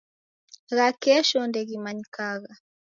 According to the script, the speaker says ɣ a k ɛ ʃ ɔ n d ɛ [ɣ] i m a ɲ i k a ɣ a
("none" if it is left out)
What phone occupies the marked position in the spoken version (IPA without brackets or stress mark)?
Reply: ɣ